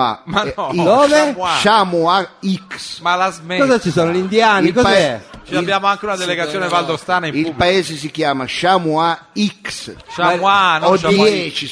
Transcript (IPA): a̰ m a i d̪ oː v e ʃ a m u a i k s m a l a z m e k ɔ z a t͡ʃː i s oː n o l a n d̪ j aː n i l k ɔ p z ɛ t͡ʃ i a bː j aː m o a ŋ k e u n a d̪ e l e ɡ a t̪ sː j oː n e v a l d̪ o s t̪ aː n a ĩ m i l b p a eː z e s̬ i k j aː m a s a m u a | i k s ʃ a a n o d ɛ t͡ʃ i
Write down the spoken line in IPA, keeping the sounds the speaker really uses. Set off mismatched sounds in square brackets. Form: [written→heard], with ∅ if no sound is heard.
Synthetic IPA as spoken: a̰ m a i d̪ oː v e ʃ a m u a i k s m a l a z m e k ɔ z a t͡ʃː i s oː n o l [a→i] n d̪ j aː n i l k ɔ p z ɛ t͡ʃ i a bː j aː m o a ŋ k e u n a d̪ e l e ɡ a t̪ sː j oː n e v a l d̪ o s t̪ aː n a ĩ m i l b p a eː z e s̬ i k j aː m a [s→ʃ] a m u a | i k s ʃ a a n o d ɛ t͡ʃ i